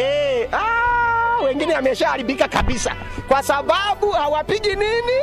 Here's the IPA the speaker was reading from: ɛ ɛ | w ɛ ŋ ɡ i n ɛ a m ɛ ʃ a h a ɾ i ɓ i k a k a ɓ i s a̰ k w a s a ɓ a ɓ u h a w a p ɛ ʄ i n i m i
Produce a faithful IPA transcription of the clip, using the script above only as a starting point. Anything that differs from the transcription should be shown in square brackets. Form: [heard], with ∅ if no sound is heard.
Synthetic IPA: ɛ [a] | w ɛ ŋ ɡ i n ɛ a m ɛ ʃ a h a ɾ i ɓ i k a k a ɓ i s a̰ k w a s a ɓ a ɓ u h a w a p [i] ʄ i n i [n] i